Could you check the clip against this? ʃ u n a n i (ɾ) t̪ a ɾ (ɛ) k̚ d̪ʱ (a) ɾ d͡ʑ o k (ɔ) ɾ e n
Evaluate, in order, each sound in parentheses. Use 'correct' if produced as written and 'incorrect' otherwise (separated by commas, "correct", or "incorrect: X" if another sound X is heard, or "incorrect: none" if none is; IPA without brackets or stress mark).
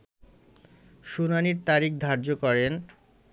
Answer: correct, incorrect: i, correct, correct